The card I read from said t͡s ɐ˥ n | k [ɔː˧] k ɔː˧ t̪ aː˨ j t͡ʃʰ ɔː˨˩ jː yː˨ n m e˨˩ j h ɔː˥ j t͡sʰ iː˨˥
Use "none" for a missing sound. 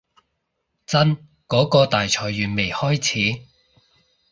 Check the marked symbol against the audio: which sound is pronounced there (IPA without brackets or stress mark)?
ɔː˨˥